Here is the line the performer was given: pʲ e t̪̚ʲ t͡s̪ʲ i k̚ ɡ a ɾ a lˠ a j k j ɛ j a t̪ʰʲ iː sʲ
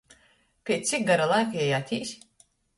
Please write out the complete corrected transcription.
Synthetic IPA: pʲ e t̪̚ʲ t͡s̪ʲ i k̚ ɡ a ɾ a lˠ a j k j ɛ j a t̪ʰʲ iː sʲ